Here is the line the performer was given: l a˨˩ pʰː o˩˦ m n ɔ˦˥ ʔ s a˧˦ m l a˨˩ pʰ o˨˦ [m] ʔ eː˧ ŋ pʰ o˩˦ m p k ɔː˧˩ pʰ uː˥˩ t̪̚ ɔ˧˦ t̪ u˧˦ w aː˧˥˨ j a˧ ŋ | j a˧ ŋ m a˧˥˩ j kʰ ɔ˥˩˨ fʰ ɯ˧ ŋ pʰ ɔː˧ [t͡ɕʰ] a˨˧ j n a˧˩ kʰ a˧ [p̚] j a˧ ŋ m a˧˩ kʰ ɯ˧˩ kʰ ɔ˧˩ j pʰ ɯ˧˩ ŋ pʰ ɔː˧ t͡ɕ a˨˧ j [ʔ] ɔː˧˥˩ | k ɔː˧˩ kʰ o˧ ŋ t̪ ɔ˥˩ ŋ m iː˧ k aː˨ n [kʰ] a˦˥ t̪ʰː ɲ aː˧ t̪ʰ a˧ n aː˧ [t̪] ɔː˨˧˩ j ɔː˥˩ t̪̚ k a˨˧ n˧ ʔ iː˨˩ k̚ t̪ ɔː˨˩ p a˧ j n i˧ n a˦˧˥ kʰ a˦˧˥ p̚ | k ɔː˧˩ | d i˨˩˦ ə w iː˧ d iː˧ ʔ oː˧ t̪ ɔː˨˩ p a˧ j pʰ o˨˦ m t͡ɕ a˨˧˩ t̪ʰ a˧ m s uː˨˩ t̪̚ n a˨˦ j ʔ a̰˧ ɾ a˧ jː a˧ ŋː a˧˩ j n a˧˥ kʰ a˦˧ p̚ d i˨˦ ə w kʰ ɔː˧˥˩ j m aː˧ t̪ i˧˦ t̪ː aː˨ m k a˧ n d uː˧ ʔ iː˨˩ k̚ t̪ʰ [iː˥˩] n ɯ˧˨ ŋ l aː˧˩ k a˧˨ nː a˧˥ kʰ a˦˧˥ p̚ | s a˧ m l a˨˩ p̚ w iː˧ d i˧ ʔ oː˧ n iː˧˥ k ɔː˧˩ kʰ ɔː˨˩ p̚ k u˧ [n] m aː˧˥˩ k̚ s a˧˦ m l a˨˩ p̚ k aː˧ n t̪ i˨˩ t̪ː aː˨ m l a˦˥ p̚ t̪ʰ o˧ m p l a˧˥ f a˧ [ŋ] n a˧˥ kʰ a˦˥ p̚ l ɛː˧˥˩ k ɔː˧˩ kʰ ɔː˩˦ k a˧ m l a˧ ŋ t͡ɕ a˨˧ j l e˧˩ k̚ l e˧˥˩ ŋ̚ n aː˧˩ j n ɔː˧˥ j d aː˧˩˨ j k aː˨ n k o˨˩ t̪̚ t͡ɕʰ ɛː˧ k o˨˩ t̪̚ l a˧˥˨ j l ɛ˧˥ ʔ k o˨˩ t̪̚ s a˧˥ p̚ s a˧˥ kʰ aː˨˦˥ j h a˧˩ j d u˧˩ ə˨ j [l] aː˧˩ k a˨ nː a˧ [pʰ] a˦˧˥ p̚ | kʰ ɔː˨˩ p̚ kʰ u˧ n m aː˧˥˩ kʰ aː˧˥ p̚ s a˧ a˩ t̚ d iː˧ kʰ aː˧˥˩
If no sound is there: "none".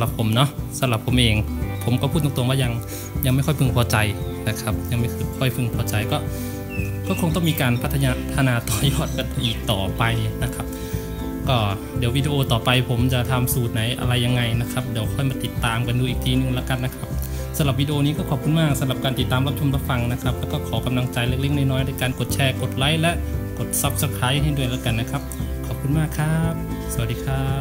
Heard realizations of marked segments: m, t͡ɕ, p̚, k, pʰ, t̪, iː˧, n, ŋ, l, kʰ

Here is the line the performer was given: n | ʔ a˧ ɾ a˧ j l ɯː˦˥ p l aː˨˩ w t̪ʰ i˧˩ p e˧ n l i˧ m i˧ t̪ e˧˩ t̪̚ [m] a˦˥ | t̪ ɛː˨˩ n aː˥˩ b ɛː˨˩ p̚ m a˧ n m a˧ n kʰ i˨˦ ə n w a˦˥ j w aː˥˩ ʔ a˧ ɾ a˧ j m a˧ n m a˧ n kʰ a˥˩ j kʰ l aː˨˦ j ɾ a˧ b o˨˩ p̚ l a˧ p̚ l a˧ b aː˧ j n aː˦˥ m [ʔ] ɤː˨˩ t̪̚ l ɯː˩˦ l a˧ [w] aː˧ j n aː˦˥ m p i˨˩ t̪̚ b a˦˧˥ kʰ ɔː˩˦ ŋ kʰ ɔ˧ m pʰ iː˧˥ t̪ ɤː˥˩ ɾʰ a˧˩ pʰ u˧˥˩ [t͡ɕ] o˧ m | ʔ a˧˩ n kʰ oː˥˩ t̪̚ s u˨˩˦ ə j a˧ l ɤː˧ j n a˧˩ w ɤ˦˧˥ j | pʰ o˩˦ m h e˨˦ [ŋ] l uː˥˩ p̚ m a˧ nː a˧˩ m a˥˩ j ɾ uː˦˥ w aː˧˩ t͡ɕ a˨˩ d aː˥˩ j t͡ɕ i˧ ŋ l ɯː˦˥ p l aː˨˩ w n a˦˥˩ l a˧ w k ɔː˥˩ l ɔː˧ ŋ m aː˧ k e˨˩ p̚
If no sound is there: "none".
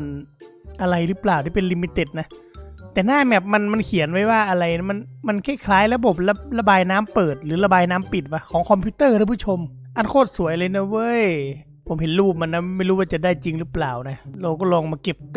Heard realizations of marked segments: n, p, b, t͡ɕʰ, n

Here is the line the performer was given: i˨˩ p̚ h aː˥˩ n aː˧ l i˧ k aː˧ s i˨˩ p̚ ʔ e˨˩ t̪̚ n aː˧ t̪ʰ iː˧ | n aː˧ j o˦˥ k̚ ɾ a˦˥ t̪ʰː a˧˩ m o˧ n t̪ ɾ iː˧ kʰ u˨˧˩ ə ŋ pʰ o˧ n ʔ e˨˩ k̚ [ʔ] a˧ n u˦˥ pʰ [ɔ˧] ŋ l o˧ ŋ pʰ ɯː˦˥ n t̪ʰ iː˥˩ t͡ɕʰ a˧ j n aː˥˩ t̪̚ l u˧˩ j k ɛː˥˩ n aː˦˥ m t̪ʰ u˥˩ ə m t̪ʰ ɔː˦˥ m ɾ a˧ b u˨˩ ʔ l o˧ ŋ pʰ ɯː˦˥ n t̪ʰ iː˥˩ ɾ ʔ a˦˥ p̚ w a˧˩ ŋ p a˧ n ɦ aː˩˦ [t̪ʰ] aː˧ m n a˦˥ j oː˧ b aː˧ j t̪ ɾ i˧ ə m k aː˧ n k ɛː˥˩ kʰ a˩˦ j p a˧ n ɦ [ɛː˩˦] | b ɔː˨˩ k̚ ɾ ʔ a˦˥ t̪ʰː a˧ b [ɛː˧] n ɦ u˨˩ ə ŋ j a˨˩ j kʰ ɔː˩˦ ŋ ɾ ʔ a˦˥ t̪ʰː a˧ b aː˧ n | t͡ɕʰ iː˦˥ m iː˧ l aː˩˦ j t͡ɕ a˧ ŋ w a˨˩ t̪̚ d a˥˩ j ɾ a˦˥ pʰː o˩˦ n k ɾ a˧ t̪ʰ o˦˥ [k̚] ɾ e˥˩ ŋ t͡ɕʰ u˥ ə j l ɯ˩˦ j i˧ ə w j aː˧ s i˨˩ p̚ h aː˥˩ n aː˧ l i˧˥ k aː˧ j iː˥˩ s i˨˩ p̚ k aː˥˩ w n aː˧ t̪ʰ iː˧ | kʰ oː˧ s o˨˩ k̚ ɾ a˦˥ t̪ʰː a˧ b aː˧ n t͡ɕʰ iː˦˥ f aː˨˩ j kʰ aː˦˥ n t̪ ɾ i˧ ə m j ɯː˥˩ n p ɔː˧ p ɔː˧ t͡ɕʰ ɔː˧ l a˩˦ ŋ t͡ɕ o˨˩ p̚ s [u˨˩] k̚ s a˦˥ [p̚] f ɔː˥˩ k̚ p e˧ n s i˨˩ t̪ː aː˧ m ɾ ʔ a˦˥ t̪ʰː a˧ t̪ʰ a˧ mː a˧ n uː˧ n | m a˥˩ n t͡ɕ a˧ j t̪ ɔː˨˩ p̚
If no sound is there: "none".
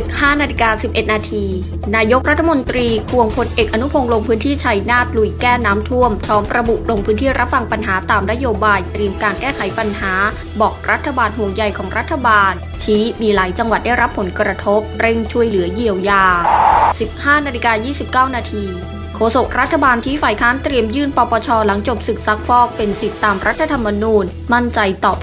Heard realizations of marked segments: ʔ, o˧, t̪, aː˩˦, aː˧, p̚, ɯ˨˩, k̚

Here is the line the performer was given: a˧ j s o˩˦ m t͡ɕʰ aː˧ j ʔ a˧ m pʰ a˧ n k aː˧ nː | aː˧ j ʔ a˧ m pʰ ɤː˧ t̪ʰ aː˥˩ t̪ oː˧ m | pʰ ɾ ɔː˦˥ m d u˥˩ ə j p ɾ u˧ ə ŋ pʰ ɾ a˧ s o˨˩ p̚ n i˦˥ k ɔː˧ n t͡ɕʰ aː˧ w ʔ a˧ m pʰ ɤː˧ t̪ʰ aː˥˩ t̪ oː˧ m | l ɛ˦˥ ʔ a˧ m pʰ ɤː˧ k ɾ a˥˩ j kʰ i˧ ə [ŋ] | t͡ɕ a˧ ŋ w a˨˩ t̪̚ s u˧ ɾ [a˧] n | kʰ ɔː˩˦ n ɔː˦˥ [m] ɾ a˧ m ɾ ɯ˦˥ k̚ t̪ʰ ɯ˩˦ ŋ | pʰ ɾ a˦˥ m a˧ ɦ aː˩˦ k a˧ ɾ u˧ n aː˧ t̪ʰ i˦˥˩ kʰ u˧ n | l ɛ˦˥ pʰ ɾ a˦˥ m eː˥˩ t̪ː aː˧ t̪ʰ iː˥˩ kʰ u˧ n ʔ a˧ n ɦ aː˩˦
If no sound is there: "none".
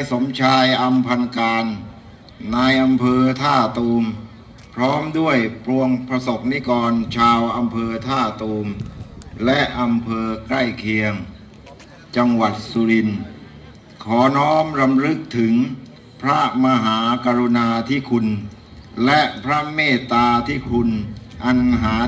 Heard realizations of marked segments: ŋ, i˧, m

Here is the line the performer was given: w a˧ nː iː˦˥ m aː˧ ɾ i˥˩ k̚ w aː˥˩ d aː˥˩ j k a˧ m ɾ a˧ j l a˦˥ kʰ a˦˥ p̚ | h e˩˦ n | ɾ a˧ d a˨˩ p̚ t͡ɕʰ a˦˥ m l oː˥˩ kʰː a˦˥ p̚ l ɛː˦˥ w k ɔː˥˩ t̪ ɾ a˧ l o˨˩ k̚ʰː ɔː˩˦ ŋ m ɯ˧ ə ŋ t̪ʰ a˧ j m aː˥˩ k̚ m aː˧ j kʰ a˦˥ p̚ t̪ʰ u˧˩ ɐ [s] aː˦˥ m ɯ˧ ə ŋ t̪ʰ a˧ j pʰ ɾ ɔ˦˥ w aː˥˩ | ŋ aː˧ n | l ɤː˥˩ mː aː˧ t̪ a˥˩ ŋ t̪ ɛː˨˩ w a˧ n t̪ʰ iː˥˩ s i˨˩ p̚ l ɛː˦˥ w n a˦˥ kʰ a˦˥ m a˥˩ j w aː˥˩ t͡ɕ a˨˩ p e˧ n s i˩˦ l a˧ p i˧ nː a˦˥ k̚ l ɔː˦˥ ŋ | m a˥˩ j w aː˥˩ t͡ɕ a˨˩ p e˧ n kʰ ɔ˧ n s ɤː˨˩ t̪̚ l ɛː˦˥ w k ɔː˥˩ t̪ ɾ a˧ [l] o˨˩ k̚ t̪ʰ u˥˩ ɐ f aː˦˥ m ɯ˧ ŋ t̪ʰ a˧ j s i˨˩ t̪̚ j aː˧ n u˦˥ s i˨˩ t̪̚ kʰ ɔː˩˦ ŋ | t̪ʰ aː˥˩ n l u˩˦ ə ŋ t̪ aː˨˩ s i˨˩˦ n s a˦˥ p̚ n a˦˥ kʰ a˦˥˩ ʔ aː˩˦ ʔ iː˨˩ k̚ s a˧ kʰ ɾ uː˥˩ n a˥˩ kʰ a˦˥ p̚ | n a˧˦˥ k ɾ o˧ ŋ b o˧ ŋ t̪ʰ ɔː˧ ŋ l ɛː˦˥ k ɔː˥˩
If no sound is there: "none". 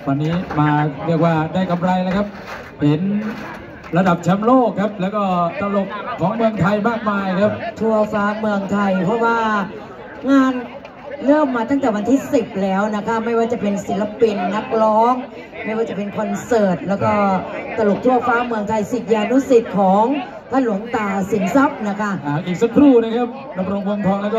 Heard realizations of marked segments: f, l

